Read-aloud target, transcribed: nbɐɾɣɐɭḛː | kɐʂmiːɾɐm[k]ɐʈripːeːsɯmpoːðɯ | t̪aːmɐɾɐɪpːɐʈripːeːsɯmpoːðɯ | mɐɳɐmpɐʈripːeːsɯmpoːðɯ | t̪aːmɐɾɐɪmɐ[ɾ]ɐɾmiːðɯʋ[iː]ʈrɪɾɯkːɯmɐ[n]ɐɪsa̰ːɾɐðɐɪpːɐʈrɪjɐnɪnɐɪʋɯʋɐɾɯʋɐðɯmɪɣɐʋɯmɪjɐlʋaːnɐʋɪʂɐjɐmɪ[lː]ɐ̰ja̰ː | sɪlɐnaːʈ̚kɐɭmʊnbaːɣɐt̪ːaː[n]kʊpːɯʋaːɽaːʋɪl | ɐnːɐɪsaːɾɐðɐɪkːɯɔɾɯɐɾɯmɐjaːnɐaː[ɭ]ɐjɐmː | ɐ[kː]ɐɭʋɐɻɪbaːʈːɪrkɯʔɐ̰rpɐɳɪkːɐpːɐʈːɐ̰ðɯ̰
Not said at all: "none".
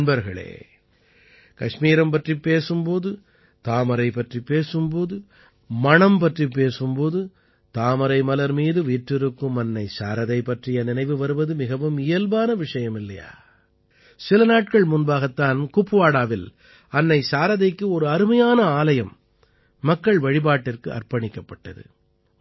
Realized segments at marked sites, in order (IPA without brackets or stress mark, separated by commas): p, l, iː, nː, lː, n, l, kː